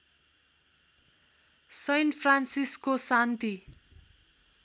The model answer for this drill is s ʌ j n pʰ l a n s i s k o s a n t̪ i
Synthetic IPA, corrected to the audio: s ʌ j n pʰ r a n s i s k o s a n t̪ i